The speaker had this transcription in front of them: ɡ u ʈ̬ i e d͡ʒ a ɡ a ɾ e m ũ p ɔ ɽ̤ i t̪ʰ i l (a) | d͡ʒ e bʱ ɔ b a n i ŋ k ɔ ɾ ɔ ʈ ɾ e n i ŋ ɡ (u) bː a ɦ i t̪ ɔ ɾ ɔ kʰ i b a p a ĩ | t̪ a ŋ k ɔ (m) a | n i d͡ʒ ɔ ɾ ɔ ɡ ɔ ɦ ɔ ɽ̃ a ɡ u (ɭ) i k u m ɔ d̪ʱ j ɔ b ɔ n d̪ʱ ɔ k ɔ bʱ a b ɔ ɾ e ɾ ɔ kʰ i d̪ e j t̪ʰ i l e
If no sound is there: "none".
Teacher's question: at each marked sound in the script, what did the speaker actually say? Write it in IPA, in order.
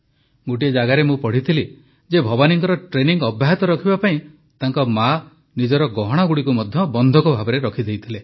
i, ɔ, m, ɽ

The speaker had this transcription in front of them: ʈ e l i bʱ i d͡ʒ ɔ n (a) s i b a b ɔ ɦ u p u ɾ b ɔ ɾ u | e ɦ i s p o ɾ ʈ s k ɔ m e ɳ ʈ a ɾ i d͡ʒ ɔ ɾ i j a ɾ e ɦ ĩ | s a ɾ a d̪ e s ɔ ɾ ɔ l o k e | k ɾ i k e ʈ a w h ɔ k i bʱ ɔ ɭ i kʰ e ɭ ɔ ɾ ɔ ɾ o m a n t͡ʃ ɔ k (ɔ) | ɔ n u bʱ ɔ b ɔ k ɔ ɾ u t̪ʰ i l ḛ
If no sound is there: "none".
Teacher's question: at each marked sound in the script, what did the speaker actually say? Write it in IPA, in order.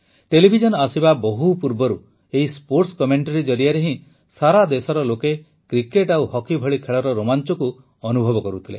a, u

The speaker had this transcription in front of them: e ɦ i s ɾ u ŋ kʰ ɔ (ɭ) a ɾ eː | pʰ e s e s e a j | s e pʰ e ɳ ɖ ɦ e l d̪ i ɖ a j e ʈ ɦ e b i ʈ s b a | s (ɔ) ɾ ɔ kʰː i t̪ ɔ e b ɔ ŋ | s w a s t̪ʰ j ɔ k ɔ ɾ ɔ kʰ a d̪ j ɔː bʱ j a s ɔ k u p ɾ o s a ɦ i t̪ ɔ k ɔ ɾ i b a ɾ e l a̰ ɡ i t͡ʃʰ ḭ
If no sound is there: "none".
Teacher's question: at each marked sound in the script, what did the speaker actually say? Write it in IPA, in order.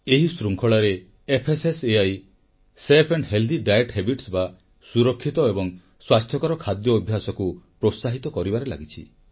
ɭ, u

